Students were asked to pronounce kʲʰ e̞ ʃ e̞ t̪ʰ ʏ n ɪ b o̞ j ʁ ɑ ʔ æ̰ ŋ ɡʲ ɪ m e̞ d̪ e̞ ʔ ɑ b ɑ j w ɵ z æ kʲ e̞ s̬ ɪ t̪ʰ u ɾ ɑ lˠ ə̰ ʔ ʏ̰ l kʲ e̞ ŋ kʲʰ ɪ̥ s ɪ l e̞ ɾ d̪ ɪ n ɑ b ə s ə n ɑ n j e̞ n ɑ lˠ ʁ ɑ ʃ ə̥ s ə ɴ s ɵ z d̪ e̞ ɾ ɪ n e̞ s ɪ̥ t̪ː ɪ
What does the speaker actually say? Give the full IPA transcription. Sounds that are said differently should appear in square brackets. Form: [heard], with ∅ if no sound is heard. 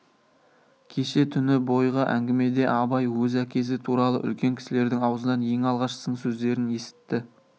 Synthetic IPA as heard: kʲʰ e̞ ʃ e̞ t̪ʰ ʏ n ɪ b o̞ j ʁ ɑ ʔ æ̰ ŋ ɡʲ ɪ m e̞ d̪ e̞ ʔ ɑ b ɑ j w ɵ z æ kʲ e̞ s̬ ɪ t̪ʰ u ɾ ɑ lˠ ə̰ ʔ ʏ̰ l kʲ e̞ ŋ kʲʰ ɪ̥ s ɪ l e̞ ɾ d̪ ɪ [ŋ] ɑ [w] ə [z] ə n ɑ n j e̞ [ŋ] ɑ lˠ ʁ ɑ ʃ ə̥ s ə ɴ s ɵ z d̪ e̞ ɾ ɪ n e̞ s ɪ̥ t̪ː ɪ